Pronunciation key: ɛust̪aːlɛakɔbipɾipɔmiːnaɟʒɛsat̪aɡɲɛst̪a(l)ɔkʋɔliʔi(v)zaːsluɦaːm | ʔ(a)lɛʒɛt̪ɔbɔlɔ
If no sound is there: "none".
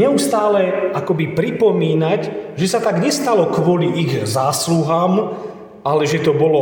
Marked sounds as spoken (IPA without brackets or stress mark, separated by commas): l, ɣ, a